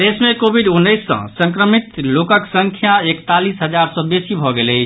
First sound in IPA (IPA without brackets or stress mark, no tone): d̪